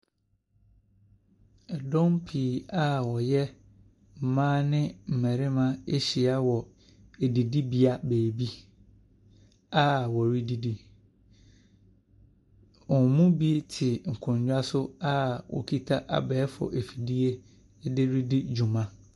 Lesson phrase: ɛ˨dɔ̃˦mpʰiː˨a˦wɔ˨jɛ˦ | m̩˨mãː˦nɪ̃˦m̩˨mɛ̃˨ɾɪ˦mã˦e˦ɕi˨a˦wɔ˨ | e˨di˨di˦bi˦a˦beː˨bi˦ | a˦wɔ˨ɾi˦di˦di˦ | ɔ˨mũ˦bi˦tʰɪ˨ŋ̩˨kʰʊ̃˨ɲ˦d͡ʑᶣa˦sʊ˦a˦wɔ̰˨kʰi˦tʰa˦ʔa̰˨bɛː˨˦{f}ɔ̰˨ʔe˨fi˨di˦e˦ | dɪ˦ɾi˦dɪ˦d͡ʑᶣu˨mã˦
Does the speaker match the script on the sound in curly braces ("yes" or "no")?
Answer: yes